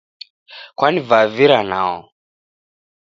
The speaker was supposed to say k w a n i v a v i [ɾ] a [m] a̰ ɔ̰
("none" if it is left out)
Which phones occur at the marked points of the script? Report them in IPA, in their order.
ɾ, n

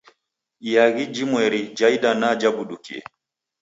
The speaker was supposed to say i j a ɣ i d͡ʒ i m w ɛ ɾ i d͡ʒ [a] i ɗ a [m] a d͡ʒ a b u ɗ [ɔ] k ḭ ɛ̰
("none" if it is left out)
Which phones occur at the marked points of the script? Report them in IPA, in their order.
a, n, u

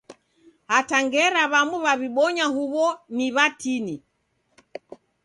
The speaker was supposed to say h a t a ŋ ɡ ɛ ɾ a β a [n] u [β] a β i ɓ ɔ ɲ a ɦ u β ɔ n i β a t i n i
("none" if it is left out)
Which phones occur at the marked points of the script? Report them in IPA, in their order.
m, β

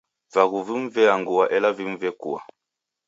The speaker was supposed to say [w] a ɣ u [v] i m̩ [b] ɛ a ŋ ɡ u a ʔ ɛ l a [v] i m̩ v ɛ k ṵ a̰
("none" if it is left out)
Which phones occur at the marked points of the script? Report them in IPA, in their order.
v, v, v, v

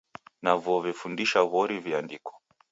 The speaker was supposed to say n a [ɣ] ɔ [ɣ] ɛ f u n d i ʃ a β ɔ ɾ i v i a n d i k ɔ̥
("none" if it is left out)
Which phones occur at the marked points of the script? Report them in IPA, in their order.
v, v

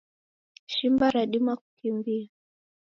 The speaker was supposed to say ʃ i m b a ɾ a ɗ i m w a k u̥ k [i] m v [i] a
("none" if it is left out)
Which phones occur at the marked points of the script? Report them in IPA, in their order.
i, i

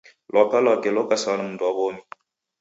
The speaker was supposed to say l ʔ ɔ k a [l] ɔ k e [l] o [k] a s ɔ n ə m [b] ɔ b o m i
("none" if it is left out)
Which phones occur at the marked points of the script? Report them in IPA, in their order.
l, l, k, d

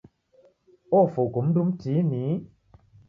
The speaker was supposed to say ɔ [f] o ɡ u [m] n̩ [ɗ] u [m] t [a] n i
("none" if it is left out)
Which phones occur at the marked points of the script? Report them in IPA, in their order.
f, m, d, m, i

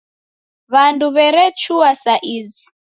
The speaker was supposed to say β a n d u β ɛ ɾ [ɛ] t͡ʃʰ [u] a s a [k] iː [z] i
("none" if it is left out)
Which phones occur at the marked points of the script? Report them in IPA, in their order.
ɛ, u, ʔ, z

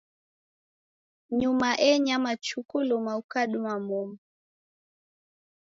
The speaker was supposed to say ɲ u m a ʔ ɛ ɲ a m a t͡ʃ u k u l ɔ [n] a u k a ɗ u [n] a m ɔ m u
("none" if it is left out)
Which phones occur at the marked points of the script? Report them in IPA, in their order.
m, m

